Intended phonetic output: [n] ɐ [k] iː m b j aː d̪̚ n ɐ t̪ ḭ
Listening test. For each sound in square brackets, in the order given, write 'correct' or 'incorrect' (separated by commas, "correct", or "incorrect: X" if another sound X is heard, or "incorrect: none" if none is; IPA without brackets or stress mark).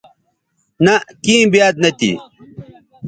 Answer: correct, correct